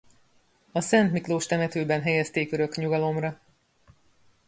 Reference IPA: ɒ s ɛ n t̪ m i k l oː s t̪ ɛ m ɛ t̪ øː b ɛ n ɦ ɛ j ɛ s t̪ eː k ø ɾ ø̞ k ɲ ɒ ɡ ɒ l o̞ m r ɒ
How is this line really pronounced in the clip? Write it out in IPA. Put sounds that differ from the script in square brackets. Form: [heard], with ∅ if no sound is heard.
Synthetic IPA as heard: ɒ s ɛ n t̪ m i k l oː [ʃ] t̪ ɛ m ɛ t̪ øː b ɛ n ɦ ɛ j ɛ s t̪ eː k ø ɾ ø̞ k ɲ [u] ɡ ɒ l o̞ m r ɒ

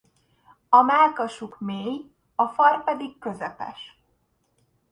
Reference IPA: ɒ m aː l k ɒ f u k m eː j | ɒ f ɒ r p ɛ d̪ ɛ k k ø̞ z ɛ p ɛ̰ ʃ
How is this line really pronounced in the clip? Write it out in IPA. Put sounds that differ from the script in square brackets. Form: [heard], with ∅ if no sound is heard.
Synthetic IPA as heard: ɒ m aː l k ɒ [ʃ] u k m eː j | ɒ f ɒ r p ɛ d̪ [i] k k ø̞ z ɛ p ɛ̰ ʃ

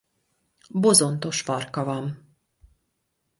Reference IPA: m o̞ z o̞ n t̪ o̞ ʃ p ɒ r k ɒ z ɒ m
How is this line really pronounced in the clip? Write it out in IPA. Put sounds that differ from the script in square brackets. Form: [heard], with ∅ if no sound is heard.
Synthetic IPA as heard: [b] o̞ z o̞ n t̪ o̞ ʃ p ɒ r k ɒ [v] ɒ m

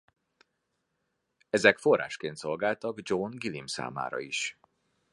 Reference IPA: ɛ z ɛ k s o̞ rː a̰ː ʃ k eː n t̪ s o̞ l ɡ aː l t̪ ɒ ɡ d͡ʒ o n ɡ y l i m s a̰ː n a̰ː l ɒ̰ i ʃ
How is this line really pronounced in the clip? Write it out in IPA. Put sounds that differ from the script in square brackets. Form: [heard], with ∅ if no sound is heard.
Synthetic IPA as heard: ɛ z ɛ k [f] o̞ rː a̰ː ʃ k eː n t̪ s o̞ l ɡ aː l t̪ ɒ ɡ d͡ʒ o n ɡ [i] l i m s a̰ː [m] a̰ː [ɾ] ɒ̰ i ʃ

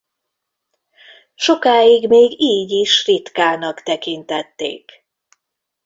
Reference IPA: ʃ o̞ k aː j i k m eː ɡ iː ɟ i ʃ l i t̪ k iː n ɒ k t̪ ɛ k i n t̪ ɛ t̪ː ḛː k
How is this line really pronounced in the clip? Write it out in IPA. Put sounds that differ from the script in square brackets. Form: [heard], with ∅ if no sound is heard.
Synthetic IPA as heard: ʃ o̞ k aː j i [ɡ] m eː ɡ iː ɟ i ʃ [r] i t̪ k [aː] n ɒ k t̪ ɛ k i n t̪ ɛ t̪ː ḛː k

